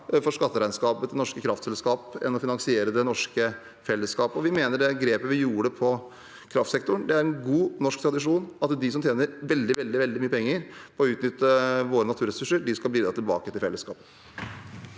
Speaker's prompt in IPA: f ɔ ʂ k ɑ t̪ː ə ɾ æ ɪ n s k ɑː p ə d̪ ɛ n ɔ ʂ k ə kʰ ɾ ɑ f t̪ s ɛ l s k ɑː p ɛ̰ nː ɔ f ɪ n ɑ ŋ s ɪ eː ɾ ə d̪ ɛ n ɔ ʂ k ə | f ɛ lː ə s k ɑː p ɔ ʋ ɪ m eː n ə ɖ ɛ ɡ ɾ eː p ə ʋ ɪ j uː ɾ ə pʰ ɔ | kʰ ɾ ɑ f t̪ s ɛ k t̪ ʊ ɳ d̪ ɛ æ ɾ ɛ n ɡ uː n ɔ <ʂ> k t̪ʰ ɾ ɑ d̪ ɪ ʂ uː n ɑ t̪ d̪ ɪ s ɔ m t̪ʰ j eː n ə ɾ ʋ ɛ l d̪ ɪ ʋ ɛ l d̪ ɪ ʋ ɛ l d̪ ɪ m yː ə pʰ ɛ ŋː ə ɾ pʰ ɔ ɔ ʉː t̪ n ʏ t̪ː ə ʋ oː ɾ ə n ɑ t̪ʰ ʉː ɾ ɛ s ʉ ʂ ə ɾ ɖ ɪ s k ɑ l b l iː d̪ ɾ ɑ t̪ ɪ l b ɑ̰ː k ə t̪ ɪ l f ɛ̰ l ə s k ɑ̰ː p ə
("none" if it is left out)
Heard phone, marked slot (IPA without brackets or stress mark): ʂ